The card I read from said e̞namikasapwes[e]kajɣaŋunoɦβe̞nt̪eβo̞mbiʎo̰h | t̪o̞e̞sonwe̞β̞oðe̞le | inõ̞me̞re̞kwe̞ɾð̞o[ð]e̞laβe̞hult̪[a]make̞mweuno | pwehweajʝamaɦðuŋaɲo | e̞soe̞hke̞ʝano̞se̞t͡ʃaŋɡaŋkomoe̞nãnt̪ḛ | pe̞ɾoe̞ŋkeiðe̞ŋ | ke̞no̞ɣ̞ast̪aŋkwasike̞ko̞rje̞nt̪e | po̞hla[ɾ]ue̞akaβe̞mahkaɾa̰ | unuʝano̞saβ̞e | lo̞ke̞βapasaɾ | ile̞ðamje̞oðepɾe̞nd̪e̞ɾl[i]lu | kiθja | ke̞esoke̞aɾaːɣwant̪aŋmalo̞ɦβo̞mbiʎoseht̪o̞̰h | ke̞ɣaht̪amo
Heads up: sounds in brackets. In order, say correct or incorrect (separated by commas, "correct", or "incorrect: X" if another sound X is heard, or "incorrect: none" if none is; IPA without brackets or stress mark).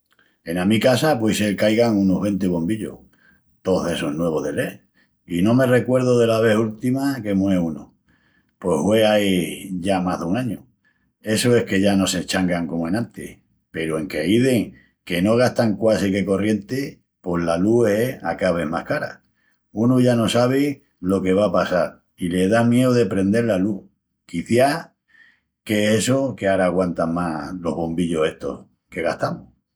correct, correct, incorrect: i, incorrect: l, incorrect: a